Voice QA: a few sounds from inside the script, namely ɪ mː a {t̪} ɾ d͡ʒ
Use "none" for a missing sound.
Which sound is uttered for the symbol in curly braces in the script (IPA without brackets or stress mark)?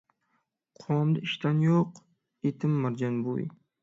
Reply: none